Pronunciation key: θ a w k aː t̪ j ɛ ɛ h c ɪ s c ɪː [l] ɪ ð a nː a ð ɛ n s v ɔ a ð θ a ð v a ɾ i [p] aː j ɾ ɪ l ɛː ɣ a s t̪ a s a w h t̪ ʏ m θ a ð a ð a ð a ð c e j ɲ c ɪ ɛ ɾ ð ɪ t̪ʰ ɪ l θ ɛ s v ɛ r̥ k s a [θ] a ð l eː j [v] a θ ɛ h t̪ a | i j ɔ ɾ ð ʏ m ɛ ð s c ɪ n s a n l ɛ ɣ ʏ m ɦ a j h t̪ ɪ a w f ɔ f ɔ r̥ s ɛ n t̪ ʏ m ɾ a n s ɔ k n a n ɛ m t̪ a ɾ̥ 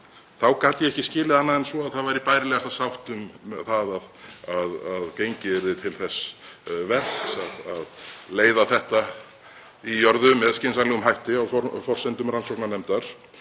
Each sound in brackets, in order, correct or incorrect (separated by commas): correct, correct, incorrect, incorrect